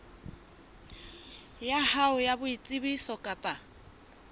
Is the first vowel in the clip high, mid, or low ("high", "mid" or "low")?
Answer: low